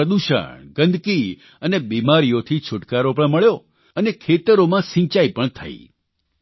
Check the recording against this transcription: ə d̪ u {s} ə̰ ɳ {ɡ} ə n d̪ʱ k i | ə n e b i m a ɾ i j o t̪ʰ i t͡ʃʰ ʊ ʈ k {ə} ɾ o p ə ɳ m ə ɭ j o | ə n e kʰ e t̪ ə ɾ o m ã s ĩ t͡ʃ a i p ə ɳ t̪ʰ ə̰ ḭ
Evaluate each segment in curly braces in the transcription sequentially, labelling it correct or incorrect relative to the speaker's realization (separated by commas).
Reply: incorrect, correct, incorrect